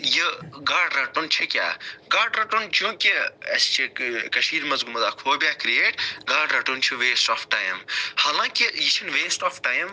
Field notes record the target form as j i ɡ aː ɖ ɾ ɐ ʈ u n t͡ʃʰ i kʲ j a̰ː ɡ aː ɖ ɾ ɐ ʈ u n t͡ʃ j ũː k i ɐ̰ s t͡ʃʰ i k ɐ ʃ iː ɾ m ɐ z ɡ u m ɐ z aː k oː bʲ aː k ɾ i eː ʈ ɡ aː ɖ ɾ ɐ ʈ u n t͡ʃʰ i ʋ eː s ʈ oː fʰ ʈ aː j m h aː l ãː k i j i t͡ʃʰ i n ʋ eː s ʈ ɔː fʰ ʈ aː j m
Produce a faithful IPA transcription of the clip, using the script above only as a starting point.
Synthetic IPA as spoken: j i ɡ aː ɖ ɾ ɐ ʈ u n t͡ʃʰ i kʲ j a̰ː ɡ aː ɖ ɾ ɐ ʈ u n t͡ʃ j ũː k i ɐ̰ s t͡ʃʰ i k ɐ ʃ iː ɾ m ɐ z ɡ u m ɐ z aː kʰ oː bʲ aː k ɾ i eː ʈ ɡ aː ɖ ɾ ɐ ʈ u n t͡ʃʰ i ʋ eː s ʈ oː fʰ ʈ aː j m h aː l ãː k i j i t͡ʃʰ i n ʋ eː s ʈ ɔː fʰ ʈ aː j m